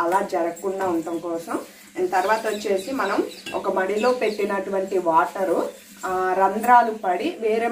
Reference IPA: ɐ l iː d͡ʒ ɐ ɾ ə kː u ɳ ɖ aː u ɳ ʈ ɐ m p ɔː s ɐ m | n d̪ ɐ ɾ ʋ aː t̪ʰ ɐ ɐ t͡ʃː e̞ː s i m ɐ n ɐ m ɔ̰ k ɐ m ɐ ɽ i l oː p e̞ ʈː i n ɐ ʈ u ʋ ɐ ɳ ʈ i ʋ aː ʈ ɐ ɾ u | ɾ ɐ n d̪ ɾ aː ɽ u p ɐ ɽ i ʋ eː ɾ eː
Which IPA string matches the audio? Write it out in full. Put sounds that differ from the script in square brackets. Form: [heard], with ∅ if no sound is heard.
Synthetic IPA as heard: ɐ l [aː] d͡ʒ ɐ ɾ [ɐ] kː u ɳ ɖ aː u ɳ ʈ ɐ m [k] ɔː s ɐ m | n [t̪] ɐ ɾ ʋ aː [t̪] ɐ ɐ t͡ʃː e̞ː s i m ɐ n ɐ m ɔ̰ k ɐ m ɐ ɽ i l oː p e̞ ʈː i n ɐ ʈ u ʋ ɐ ɳ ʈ i ʋ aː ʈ ɐ ɾ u | ɾ ɐ n d̪ ɾ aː [l] u p ɐ ɽ i ʋ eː ɾ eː

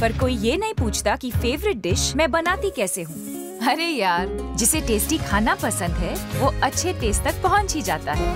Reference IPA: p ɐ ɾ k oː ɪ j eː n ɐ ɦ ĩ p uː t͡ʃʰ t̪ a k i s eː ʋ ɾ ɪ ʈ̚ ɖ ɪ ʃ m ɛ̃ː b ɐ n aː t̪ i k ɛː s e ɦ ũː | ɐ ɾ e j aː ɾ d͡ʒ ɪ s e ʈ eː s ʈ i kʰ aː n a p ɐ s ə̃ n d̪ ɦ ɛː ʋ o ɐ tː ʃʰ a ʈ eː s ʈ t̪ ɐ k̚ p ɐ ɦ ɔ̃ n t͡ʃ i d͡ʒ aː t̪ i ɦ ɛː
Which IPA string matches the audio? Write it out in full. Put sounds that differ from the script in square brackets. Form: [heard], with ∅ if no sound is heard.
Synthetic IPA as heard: p ɐ ɾ k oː [i] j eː n ɐ ɦ ĩ p uː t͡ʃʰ t̪ a k i [f] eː ʋ ɾ ɪ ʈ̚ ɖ ɪ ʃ m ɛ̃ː b ɐ n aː t̪ i k ɛː s e ɦ ũː | ɐ ɾ e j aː ɾ d͡ʒ ɪ s e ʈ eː s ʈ i kʰ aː n a p ɐ s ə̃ n d̪ ɦ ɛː ʋ o ɐ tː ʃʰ [e] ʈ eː s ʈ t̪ ɐ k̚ p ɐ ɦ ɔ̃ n t͡ʃ i d͡ʒ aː t̪ [a] ɦ ɛː

